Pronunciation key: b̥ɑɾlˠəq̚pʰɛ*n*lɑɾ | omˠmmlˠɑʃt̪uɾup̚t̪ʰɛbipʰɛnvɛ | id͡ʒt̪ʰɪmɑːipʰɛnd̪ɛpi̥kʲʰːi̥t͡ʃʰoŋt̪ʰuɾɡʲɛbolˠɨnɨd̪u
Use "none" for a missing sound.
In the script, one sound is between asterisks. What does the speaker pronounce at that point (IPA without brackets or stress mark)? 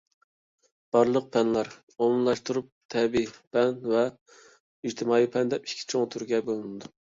n